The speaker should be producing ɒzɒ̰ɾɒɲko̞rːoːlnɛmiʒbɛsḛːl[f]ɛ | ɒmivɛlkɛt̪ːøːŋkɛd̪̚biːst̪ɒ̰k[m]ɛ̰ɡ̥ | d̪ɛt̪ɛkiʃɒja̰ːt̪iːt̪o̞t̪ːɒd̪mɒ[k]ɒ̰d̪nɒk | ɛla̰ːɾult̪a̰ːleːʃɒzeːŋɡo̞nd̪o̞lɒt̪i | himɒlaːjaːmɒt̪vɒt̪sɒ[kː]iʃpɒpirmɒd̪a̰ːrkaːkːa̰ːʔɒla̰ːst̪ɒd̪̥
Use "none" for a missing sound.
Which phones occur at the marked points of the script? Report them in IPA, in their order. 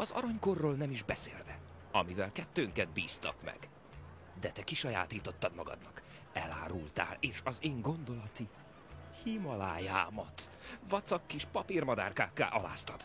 v, m, ɡ, kː

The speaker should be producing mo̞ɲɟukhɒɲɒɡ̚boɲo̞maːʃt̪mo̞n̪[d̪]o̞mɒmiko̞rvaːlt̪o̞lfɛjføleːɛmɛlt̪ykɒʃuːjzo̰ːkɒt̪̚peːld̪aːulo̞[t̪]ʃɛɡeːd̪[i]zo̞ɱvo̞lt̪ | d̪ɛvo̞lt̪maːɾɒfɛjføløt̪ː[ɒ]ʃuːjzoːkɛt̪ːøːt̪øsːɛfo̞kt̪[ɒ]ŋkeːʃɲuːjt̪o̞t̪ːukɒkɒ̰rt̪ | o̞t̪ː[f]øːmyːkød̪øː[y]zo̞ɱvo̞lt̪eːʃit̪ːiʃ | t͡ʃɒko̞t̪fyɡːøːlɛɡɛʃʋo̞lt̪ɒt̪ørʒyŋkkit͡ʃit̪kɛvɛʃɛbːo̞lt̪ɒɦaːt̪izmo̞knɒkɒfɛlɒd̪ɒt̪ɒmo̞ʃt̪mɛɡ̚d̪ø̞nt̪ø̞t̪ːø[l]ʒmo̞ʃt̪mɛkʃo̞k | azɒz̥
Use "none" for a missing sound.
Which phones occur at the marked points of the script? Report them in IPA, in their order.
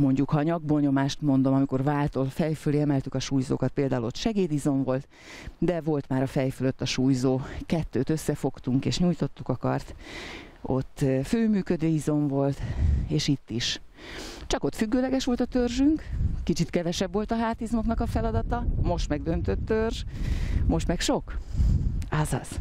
d̪, t̪, i, ɒ, u, f, i, r

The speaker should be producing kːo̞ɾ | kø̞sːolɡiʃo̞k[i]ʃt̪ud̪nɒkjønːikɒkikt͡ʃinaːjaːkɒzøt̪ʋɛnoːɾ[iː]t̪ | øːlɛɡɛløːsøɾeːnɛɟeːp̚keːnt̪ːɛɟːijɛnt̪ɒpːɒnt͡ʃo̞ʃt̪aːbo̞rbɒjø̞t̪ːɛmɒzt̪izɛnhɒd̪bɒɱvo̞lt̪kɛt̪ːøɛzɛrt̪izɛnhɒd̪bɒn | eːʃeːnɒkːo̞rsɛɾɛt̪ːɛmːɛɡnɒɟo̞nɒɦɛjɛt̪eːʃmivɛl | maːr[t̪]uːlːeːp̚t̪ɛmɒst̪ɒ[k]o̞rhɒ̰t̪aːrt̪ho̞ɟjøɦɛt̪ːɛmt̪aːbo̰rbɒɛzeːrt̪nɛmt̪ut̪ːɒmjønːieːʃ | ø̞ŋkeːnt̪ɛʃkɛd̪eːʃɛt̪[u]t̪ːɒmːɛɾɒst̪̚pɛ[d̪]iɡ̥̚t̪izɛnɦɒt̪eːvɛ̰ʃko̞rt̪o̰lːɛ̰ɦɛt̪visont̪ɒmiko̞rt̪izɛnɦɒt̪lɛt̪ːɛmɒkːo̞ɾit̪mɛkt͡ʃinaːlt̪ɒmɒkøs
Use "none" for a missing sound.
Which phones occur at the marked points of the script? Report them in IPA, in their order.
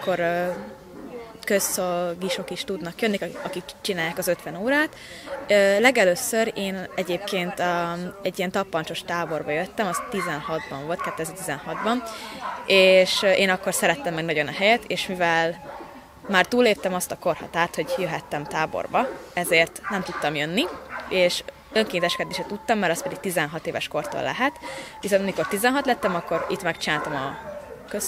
i, aː, t̪, k, u, d̪

